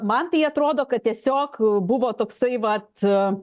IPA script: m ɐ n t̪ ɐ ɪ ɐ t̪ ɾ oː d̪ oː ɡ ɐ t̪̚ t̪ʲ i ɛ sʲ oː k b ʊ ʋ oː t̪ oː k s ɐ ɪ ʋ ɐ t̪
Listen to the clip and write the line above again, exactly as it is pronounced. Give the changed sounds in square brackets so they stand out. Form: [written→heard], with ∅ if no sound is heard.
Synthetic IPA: m ɐ n t̪ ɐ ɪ ɐ t̪ ɾ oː d̪ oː [ɡ→k] ɐ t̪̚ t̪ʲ i ɛ sʲ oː k b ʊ ʋ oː t̪ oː k s ɐ ɪ ʋ ɐ t̪